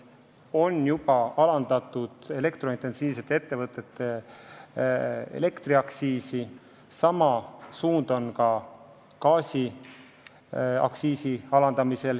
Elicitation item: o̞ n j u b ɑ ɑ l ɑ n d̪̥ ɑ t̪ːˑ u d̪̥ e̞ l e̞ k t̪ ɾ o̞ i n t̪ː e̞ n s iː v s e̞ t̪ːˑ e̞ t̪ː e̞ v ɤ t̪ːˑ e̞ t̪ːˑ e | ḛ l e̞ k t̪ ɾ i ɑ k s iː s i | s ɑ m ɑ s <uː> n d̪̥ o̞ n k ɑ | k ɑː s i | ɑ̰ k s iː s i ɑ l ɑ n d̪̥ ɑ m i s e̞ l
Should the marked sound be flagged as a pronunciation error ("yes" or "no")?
no